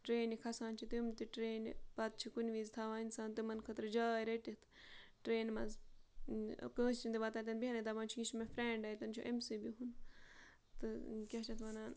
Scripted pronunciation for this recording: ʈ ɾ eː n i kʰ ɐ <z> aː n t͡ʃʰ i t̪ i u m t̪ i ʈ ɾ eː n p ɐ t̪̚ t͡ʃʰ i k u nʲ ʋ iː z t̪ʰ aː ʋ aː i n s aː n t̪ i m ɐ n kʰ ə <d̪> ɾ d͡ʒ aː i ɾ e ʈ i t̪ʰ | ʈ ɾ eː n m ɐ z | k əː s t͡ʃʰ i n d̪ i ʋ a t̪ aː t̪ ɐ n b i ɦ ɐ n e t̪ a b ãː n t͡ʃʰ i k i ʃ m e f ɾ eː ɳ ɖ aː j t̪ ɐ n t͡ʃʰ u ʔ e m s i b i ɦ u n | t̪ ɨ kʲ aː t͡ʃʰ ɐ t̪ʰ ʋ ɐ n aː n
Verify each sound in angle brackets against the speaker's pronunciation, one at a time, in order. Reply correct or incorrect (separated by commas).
incorrect, incorrect